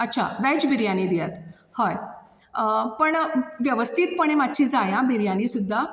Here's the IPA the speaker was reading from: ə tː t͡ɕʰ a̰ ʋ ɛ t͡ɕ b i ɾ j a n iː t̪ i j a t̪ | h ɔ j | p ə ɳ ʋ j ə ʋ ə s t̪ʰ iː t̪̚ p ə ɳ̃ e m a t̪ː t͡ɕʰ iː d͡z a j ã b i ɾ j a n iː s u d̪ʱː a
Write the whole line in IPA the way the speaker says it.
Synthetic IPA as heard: ə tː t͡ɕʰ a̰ ʋ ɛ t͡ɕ b i ɾ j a n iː d̪ i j a t̪ | h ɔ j | p ə ɳ ʋ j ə ʋ ə s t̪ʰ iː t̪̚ p ə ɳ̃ e m a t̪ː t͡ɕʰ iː d͡z a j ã b i ɾ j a n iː s u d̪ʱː a